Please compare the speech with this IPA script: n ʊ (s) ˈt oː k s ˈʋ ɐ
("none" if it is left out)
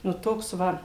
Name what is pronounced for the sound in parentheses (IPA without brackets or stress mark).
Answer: none